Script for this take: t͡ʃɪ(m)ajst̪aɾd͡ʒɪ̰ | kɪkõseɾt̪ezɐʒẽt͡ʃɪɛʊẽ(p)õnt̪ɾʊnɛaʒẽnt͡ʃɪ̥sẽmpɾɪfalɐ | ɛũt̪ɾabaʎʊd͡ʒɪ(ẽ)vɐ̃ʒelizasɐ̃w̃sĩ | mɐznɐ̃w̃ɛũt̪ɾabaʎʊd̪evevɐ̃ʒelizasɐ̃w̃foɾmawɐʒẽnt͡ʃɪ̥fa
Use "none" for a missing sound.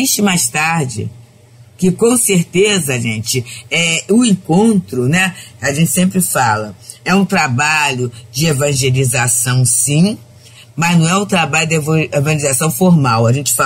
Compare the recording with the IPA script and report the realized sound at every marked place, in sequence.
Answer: m, k, e

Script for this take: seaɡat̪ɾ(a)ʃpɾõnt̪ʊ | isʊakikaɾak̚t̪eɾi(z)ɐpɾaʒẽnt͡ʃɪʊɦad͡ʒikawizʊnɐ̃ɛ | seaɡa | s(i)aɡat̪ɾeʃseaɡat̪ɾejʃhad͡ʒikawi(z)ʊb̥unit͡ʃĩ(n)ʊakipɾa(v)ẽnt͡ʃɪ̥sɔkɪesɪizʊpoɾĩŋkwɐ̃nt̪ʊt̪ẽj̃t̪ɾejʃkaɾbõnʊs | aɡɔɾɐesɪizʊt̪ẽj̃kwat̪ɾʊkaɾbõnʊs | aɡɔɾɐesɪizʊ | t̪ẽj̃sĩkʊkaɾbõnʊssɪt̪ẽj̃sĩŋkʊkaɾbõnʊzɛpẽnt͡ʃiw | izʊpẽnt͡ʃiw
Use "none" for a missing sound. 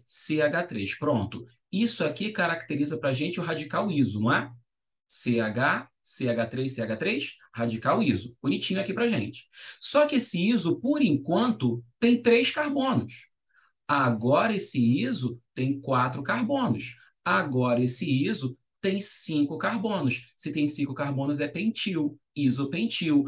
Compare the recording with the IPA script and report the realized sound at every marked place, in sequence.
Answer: e, z, e, z, ɲ, ʒ

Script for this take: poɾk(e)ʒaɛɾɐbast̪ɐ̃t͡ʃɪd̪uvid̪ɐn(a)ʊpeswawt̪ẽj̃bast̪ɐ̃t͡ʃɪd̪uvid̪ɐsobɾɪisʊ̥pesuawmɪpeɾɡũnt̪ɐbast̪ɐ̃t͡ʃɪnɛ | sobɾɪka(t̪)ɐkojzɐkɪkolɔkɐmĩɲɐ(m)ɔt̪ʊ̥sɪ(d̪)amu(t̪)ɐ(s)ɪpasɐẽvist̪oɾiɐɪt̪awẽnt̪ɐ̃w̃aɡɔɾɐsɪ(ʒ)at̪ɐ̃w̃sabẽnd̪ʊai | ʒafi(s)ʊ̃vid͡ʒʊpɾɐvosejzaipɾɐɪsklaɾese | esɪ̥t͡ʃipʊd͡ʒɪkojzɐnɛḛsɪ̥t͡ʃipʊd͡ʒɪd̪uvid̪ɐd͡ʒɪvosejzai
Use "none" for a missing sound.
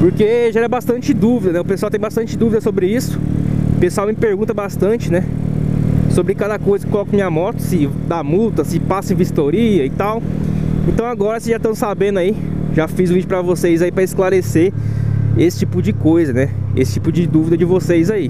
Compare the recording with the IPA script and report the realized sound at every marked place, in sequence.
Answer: e, ɛ, d̪, m, d̪, t̪, s, ʒ, z

